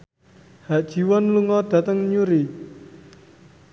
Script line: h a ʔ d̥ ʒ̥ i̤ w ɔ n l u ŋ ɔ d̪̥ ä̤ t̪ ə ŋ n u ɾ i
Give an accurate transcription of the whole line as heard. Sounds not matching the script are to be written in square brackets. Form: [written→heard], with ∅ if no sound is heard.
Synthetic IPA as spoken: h a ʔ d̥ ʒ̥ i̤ w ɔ n l u ŋ ɔ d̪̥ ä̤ t̪ ə ŋ [n→ɲ] u ɾ i